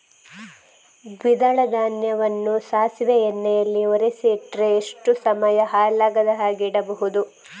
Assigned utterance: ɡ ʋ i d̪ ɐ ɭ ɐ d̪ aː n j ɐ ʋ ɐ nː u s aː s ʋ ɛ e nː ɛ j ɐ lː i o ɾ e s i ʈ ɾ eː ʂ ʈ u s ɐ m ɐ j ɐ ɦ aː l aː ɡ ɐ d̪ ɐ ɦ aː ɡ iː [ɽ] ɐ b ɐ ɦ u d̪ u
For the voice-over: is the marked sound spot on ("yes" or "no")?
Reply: yes